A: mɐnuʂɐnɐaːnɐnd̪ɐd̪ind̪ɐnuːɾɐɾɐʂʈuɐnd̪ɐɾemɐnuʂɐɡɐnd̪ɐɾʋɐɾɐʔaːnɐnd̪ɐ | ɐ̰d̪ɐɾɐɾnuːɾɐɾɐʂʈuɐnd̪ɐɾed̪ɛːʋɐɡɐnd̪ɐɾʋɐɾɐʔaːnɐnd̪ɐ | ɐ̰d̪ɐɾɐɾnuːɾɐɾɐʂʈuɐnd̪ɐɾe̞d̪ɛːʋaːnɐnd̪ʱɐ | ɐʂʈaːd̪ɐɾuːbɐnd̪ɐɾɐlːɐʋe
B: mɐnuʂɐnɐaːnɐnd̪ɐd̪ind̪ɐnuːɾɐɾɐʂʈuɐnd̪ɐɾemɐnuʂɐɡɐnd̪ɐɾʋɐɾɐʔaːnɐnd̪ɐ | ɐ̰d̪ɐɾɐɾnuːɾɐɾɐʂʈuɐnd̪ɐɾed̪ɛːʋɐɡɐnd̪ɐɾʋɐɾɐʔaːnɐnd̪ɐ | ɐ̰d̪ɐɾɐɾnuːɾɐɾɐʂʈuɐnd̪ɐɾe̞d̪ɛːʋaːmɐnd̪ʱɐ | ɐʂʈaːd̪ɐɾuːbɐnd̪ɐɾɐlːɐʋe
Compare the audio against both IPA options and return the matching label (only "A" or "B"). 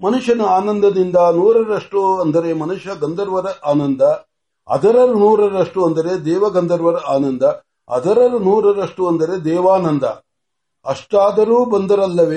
A